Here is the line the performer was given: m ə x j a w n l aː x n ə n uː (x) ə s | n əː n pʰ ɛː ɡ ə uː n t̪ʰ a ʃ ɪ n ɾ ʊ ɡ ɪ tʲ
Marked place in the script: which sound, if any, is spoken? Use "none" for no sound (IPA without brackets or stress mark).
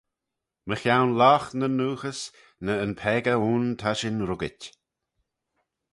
x